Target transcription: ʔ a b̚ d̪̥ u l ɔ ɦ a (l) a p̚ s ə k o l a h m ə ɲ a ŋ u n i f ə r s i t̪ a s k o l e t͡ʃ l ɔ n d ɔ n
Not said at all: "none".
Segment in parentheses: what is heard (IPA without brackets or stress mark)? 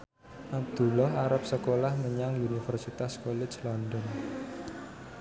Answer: ɾ